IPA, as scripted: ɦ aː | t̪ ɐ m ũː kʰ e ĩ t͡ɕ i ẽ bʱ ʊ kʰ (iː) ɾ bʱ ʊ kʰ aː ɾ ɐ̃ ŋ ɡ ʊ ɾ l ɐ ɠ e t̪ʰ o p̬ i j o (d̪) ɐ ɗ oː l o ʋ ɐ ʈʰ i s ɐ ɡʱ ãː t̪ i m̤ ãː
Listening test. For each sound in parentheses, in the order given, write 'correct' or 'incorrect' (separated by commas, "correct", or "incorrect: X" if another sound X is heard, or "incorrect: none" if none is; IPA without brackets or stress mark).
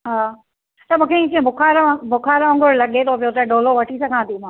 incorrect: aː, incorrect: t̪